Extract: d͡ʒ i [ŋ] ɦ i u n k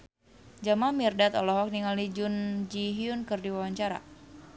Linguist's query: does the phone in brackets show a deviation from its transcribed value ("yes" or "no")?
yes